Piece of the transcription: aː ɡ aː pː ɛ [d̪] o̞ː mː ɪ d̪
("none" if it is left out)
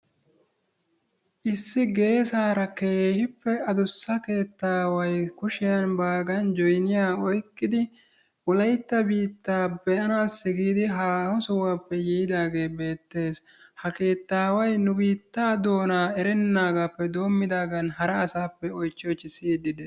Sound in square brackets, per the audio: d̪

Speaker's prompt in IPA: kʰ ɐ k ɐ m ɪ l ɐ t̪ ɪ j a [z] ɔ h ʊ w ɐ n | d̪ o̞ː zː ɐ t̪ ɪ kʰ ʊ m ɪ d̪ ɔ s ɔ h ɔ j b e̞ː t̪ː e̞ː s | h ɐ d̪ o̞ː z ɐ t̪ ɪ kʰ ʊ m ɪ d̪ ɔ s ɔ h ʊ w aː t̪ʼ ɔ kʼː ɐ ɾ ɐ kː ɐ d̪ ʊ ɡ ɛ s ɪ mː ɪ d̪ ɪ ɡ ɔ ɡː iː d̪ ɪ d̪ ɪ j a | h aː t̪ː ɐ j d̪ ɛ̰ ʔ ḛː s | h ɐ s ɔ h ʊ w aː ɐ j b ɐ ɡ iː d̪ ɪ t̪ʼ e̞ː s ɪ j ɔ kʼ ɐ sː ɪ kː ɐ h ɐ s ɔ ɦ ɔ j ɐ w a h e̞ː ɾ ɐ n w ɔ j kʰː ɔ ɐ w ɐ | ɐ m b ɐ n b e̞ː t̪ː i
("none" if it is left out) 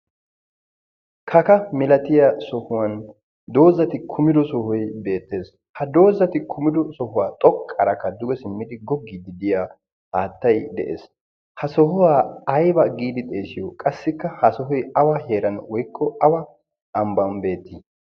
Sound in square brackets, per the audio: s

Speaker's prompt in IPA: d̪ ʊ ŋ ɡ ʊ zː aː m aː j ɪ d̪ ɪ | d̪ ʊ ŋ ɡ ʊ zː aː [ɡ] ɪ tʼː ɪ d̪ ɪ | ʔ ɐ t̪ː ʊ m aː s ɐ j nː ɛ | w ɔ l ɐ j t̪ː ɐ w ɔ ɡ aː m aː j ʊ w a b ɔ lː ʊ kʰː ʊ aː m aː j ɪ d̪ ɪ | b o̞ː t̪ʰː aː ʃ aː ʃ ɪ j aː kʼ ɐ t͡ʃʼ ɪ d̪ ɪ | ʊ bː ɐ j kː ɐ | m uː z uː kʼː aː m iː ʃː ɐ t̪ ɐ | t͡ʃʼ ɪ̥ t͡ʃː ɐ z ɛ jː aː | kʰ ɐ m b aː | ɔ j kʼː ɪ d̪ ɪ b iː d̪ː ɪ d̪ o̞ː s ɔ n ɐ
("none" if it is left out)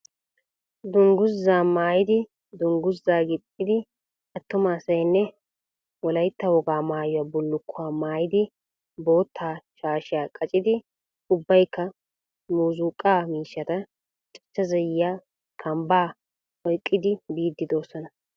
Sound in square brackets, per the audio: ɡ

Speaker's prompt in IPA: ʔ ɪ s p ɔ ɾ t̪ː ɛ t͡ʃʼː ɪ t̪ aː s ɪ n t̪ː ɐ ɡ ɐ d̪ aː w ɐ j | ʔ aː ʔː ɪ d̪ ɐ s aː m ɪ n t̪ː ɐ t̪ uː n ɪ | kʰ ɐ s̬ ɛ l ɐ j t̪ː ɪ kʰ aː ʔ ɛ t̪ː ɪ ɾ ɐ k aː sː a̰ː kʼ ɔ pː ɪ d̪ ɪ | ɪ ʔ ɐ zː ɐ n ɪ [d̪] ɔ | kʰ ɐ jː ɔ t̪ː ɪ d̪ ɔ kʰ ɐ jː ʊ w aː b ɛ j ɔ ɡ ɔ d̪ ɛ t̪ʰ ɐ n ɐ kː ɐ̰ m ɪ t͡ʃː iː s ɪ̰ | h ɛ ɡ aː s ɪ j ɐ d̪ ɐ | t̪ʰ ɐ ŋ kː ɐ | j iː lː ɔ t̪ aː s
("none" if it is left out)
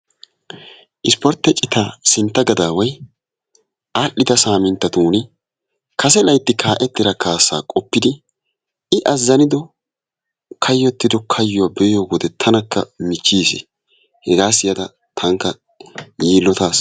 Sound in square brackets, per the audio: d̪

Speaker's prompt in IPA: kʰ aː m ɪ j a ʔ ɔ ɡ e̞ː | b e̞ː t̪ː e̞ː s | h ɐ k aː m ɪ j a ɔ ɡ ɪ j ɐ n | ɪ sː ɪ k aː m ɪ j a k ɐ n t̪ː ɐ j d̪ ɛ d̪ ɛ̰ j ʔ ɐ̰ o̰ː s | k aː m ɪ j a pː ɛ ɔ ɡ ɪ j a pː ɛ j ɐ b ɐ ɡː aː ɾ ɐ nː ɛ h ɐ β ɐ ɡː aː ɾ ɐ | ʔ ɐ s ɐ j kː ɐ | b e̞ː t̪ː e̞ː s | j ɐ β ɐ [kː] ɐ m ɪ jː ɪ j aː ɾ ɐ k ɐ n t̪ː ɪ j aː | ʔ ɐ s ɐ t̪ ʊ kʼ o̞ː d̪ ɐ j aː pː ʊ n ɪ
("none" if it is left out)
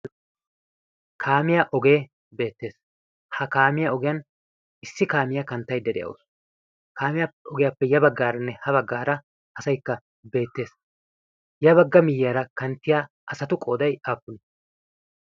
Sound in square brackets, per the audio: ɡː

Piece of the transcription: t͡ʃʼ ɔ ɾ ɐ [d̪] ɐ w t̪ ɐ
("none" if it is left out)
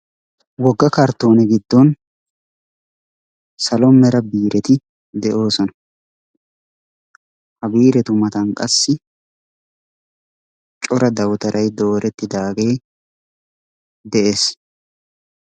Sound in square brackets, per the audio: d̪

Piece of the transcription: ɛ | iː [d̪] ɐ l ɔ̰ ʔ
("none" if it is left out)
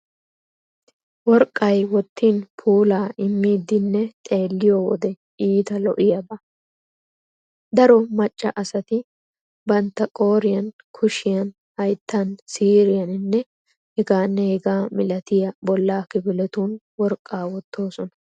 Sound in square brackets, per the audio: t̪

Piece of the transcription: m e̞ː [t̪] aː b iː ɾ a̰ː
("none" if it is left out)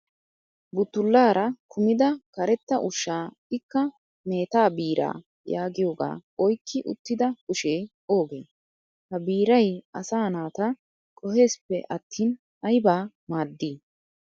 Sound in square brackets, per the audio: t̪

